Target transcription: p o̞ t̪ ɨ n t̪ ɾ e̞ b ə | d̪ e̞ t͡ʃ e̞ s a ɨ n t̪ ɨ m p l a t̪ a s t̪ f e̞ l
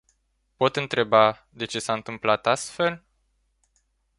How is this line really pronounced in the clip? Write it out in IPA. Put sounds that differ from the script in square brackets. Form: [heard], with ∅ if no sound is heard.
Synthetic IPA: p o̞ t̪ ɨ n t̪ ɾ e̞ b [a] | d̪ e̞ t͡ʃ e̞ s a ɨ n t̪ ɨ m p l a t̪ a s t̪ f e̞ l